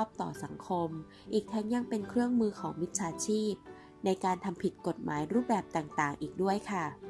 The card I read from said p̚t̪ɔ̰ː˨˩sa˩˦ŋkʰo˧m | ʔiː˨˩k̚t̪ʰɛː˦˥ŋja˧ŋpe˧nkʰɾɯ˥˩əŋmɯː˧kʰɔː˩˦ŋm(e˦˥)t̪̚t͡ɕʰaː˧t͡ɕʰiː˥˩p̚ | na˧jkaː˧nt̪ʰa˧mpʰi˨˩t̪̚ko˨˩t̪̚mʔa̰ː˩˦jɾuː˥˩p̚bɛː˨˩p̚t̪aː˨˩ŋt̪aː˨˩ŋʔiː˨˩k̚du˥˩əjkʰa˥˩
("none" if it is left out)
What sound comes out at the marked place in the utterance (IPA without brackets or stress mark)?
i˦˥